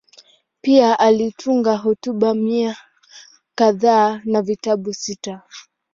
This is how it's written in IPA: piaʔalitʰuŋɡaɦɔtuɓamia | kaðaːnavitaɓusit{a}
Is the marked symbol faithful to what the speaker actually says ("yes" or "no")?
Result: yes